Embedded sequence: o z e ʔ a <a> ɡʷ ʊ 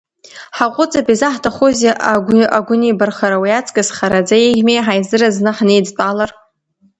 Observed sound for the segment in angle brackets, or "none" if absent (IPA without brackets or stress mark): a